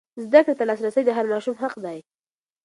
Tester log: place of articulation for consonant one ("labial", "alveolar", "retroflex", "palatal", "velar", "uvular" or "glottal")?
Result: alveolar